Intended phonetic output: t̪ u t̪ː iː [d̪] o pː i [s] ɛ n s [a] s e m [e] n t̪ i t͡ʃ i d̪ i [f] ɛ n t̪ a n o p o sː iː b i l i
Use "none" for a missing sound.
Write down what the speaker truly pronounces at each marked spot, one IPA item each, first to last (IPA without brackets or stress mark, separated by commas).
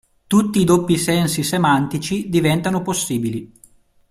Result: d̪, s, i, a, v